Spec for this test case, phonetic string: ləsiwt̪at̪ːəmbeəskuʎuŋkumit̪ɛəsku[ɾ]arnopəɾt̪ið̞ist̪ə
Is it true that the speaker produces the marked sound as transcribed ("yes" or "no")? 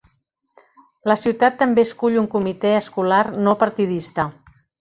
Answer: no